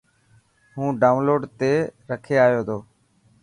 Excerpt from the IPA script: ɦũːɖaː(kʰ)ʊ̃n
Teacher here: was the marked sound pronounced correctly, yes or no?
no